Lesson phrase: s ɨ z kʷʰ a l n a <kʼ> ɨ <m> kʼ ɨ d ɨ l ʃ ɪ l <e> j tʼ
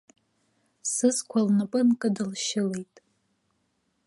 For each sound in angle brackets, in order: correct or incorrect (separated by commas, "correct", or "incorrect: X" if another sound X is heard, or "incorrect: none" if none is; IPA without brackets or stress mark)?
incorrect: pʼ, incorrect: n, correct